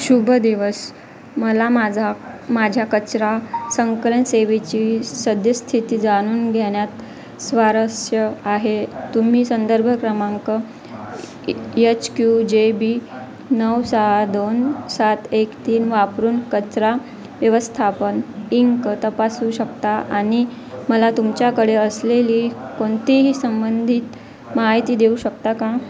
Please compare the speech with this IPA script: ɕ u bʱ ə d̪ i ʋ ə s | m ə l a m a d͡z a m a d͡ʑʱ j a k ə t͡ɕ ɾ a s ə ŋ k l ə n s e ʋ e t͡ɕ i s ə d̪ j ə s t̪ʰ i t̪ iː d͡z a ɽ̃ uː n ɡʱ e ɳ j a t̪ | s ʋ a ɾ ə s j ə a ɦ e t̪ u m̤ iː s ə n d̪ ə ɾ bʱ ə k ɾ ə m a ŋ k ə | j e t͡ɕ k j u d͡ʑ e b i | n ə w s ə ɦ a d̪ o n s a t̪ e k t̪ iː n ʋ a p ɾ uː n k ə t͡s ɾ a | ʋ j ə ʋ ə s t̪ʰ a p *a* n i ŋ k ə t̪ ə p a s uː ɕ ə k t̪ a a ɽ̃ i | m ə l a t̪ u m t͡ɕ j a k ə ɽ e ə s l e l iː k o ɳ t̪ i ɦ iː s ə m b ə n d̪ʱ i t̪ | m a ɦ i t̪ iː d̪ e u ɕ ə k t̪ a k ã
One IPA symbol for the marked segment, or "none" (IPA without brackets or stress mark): ə